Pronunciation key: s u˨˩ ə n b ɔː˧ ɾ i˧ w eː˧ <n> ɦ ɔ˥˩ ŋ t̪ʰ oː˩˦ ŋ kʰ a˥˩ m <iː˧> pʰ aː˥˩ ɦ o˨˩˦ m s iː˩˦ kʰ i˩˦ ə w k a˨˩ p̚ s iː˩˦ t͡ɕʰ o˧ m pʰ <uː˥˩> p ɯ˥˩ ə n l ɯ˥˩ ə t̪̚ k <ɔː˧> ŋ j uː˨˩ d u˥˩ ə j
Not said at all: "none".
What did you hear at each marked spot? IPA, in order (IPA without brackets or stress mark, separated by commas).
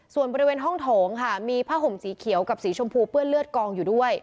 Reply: n, iː˧, uː˧, ɔː˧